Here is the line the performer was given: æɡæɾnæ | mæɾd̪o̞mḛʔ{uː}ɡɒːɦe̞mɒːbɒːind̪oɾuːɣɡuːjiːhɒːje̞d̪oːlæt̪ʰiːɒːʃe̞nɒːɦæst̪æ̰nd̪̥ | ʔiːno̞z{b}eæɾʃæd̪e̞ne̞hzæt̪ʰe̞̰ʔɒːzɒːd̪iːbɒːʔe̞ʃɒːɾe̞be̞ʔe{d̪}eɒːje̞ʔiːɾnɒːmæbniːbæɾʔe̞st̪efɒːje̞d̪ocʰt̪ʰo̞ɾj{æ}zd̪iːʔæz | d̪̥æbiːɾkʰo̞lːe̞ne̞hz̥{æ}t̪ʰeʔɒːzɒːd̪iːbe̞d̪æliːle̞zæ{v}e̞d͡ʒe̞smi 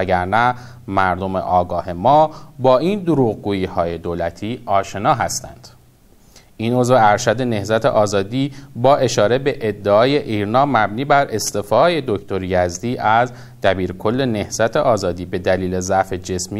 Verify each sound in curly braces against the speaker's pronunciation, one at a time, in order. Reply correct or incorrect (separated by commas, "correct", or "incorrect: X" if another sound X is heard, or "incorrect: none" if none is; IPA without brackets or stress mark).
incorrect: ɒː, incorrect: v, incorrect: d̪ː, correct, correct, incorrect: f